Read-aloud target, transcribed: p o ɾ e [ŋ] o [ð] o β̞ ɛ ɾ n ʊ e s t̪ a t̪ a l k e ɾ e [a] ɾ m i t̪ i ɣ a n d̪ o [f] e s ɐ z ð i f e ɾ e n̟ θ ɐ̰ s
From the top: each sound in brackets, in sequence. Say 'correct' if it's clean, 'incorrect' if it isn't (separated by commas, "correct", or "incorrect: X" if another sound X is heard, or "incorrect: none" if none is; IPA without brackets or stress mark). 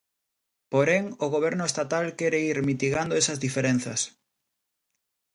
correct, incorrect: ɣ, incorrect: i, incorrect: none